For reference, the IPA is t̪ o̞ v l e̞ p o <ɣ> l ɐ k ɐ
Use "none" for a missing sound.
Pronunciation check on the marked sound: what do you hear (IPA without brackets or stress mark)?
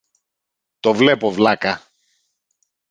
v